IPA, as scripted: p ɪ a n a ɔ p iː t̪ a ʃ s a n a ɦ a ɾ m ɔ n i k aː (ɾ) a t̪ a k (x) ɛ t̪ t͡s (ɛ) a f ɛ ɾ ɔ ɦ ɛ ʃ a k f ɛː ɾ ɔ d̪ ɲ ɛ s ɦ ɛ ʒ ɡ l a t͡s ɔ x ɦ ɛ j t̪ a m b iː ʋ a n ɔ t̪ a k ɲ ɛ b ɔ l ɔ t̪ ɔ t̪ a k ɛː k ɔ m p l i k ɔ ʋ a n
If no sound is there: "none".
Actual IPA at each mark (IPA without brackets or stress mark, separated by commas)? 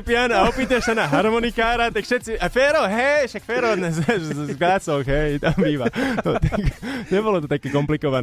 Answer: ɾ, ʃ, i